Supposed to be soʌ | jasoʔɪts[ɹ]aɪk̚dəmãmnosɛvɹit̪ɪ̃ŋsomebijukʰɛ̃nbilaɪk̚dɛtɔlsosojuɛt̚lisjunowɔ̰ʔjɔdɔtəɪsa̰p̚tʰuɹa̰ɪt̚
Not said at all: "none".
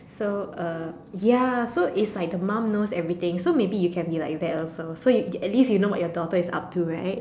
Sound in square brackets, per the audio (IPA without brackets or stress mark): l